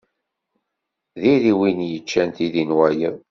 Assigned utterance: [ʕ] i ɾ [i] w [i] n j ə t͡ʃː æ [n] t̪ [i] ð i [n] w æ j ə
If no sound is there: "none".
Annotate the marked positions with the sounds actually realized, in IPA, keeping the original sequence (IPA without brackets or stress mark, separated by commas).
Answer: ð, i, i, n, i, n